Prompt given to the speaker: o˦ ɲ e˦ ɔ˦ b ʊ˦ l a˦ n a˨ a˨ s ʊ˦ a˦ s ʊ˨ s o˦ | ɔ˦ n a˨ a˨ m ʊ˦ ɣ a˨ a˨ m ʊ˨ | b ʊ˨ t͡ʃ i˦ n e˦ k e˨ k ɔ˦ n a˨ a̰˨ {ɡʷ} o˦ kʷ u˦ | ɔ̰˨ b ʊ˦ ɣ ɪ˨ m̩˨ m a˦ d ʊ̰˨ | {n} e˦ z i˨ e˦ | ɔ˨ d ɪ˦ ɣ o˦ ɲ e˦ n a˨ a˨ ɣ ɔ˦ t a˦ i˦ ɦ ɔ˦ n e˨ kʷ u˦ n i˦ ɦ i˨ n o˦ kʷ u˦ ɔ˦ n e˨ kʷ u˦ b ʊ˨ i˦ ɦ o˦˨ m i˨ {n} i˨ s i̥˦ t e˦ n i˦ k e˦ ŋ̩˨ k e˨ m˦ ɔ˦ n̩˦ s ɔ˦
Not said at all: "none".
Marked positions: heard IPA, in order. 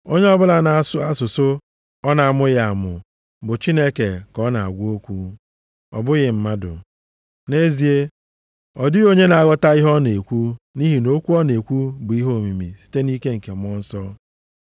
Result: ɡʷ, n, m

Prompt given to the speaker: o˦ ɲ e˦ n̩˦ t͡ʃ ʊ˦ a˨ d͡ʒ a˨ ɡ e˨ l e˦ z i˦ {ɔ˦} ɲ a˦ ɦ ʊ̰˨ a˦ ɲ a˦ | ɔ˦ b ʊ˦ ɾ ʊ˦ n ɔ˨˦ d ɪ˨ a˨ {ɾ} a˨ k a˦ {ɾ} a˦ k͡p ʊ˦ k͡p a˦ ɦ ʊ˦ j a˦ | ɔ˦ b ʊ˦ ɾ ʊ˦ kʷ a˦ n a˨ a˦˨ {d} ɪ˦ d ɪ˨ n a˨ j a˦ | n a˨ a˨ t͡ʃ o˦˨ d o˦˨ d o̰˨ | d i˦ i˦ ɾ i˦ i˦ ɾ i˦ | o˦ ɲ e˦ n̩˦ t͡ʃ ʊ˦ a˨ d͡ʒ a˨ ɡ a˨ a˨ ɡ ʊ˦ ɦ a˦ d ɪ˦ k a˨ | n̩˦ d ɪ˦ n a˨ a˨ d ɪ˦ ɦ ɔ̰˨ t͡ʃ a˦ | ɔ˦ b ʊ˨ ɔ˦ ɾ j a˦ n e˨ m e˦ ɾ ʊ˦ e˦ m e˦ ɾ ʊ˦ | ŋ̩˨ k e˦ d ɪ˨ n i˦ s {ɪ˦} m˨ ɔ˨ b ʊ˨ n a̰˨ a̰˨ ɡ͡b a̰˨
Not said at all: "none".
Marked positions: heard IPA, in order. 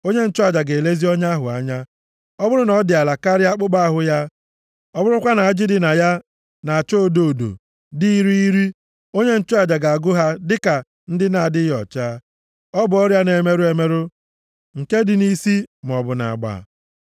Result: ɔ˦, l, ɾ, d͡ʒ, i˦

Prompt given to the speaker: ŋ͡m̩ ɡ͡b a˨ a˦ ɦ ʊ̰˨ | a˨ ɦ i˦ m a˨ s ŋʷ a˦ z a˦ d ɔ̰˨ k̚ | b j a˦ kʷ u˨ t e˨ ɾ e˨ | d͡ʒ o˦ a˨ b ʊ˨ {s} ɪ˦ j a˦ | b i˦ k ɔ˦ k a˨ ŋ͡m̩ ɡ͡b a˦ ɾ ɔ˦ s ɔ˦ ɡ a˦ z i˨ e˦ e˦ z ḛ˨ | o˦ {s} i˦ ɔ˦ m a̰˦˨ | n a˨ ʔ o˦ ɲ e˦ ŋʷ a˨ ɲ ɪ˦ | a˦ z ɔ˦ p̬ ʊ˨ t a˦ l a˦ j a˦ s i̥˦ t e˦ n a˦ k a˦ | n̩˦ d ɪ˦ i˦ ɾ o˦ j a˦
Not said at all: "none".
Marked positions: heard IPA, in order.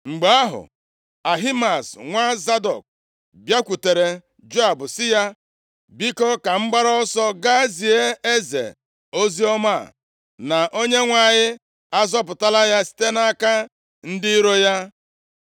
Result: s, z

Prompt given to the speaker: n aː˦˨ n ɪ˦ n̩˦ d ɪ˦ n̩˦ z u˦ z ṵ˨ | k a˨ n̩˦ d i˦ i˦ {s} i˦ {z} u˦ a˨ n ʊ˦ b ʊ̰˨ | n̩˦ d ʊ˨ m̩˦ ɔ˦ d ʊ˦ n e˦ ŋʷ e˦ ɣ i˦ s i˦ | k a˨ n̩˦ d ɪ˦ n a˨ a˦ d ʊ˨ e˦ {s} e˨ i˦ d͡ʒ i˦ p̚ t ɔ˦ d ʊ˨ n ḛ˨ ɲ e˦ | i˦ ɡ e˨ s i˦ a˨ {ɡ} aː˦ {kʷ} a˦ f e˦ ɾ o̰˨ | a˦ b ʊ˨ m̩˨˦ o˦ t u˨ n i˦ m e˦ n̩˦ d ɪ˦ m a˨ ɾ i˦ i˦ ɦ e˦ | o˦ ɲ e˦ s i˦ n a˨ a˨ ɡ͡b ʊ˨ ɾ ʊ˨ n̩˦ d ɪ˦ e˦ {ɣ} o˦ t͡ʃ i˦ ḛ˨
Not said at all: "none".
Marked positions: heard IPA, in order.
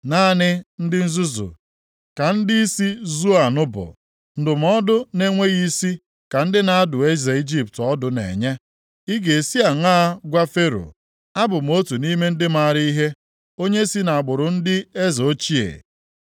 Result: s, z, z, ŋ, ɡʷ, z

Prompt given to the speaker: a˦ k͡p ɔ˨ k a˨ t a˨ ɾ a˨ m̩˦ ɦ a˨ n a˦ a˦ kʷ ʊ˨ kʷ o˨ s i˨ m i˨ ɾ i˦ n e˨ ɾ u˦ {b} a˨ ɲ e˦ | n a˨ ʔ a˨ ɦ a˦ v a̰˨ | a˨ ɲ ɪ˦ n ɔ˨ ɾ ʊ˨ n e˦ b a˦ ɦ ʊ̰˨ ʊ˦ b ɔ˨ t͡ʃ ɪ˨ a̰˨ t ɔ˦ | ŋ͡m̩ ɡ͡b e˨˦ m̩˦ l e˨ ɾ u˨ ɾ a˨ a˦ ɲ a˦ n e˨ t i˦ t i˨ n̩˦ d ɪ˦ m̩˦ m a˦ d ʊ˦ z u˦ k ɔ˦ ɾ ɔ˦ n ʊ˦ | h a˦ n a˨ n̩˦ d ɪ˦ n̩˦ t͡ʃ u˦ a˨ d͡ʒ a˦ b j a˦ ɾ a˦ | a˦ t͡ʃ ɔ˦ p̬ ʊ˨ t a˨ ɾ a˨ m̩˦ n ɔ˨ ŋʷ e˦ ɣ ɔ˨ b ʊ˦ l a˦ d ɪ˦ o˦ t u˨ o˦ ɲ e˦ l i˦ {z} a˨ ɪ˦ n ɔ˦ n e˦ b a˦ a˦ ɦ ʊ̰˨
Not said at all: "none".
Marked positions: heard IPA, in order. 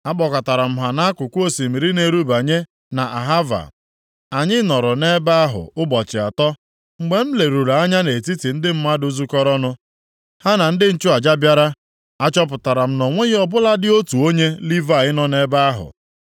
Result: b, v

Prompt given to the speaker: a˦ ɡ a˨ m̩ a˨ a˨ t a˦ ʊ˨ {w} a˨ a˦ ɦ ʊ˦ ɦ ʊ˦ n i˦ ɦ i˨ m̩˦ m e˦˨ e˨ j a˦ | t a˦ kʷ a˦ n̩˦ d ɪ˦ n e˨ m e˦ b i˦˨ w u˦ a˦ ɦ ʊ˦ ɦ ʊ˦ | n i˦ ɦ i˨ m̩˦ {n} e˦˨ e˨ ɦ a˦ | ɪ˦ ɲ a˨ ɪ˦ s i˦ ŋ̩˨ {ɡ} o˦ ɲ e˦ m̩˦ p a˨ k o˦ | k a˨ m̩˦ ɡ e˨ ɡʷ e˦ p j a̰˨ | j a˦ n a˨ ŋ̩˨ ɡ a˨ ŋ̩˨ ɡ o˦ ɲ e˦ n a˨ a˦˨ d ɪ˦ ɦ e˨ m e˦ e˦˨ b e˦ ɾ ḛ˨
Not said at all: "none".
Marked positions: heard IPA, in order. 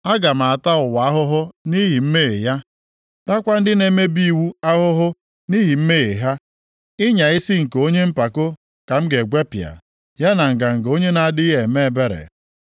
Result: w, m, k

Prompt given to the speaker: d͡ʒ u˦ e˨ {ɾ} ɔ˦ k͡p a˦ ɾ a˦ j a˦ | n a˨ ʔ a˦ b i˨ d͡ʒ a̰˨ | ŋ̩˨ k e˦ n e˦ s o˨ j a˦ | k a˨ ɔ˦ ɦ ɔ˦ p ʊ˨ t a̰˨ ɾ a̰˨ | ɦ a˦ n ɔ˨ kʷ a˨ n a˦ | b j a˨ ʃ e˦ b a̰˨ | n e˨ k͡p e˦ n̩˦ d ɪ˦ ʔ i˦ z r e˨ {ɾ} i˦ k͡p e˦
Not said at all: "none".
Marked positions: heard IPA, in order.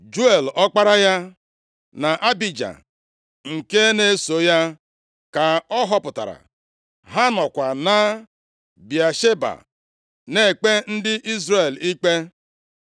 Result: l, l

